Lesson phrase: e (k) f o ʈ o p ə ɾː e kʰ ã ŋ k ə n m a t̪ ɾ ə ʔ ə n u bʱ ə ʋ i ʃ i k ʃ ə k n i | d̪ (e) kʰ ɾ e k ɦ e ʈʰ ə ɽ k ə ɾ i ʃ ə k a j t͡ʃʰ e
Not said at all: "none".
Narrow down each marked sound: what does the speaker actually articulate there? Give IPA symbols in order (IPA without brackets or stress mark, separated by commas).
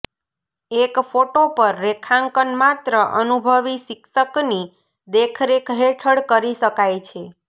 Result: k, e